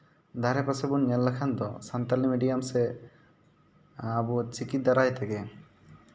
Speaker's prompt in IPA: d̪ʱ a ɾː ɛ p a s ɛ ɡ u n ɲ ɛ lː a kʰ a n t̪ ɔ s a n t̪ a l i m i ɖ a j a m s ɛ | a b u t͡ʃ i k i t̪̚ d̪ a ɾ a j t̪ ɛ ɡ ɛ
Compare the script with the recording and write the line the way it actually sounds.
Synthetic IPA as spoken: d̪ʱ a ɾ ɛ p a s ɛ b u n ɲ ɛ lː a kʰ a n d̪ ɔ s a n t̪ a l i m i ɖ i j a m s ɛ | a b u t͡ʃ i k i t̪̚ d̪ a ɾ a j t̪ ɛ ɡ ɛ